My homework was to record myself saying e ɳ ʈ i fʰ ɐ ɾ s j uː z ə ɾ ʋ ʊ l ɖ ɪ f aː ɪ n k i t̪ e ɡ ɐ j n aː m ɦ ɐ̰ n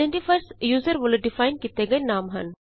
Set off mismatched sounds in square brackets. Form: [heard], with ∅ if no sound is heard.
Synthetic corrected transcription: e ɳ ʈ i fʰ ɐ ɾ s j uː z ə ɾ ʋ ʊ l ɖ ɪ f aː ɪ n k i t̪ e ɡ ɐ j n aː m ɦ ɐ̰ n